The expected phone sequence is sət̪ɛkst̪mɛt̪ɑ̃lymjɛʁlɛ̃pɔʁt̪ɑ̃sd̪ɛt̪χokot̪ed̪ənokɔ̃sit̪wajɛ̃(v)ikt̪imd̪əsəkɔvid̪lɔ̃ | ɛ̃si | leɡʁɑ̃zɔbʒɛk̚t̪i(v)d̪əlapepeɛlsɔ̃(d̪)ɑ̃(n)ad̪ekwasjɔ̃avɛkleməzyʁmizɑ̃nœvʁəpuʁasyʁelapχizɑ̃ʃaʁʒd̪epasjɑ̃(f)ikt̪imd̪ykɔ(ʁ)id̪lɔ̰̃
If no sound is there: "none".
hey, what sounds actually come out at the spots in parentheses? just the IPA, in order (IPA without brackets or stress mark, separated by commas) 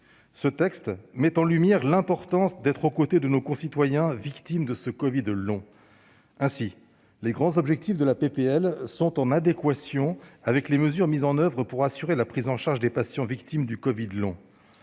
v, f, t̪, n, v, v